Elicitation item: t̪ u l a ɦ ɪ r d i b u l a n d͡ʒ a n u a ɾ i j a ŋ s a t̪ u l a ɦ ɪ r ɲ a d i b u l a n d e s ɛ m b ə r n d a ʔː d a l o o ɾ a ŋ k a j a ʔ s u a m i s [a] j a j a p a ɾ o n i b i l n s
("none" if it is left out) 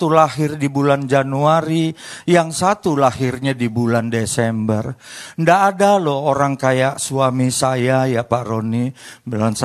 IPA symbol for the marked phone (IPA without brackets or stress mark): a